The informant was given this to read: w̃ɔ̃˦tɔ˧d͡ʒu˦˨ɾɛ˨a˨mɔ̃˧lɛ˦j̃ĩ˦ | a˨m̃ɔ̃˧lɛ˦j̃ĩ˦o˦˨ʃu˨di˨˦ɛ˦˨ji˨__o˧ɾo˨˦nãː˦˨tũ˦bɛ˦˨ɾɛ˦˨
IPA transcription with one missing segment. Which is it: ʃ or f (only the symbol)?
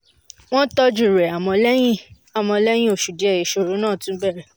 ʃ